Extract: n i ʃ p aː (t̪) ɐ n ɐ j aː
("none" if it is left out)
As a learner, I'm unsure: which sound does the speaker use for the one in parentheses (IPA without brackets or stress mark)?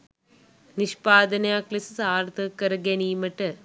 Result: d̪